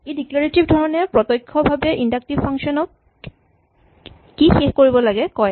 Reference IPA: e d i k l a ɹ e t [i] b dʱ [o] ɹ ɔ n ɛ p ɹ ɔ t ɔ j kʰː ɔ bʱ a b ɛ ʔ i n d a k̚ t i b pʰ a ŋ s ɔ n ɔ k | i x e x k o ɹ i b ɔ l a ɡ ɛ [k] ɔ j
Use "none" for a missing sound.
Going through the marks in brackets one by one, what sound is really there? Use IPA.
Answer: i, ɔ, k

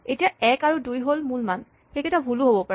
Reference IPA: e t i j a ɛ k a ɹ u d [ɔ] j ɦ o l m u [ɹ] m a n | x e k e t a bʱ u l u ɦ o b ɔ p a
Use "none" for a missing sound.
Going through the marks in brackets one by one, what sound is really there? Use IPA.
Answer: u, l

